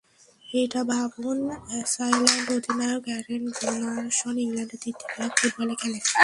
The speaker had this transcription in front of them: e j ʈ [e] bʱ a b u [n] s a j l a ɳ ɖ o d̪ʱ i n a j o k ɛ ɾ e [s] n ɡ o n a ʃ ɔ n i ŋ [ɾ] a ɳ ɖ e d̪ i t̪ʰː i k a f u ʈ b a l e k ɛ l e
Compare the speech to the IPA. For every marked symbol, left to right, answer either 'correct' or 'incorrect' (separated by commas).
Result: incorrect, correct, incorrect, incorrect